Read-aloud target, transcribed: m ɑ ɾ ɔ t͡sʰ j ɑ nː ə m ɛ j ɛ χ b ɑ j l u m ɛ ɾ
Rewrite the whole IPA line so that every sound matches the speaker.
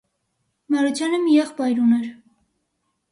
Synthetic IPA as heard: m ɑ ɾ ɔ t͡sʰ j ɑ n ə m i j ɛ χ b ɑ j ɾ u n ɛ ɾ